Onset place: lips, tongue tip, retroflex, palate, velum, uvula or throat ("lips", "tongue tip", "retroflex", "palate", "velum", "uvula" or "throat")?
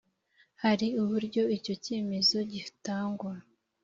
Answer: throat